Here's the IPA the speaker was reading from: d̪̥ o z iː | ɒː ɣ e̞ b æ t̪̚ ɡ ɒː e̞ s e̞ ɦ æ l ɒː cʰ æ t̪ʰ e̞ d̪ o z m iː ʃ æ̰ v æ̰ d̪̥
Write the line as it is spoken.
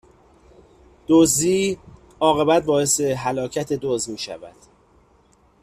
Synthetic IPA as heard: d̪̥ o z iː | ɒː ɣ e̞ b æ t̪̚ b ɒː e̞ s e̞ ɦ æ l ɒː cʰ æ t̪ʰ e̞ d̪ o z m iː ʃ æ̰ v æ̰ d̪̥